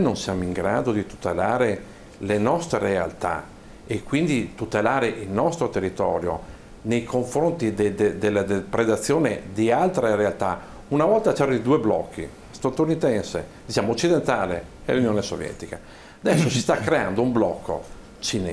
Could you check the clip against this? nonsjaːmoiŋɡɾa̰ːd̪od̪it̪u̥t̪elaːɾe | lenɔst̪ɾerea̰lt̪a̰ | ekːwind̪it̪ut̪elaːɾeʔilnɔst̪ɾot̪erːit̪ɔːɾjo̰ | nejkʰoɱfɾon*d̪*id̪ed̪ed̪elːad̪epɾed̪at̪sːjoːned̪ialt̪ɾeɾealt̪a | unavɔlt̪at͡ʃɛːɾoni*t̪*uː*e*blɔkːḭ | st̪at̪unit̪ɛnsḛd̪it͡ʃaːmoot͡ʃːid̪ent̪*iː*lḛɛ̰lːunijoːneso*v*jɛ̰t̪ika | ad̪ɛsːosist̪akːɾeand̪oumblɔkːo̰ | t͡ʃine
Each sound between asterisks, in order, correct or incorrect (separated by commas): incorrect, incorrect, correct, incorrect, correct